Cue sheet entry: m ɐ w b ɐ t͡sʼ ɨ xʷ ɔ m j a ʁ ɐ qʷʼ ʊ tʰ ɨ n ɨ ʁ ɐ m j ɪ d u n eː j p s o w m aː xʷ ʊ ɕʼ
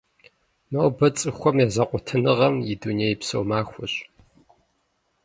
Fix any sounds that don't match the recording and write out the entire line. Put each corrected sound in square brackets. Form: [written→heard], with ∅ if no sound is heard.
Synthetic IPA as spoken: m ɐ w b ɐ t͡sʼ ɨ xʷ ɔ m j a [ʁ→z] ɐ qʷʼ ʊ tʰ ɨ n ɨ ʁ ɐ m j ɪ d u n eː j p s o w m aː xʷ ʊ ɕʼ